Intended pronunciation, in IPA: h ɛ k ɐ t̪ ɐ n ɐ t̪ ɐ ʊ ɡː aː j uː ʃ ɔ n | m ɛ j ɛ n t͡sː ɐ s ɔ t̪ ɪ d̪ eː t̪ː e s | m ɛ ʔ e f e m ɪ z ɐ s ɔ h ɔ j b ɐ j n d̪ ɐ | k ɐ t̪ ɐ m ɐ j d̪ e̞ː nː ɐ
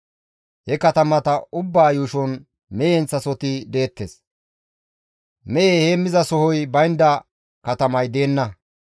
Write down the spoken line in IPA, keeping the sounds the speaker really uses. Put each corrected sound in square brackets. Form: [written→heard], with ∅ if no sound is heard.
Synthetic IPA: h ɛ k ɐ t̪ ɐ [n→m] ɐ t̪ ɐ ʊ [ɡː→bː] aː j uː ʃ ɔ n | m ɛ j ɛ n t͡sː ɐ s ɔ t̪ ɪ d̪ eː t̪ː e s | m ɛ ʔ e [f→h] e m ɪ z ɐ s ɔ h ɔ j b ɐ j n d̪ ɐ | k ɐ t̪ ɐ m ɐ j d̪ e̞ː nː ɐ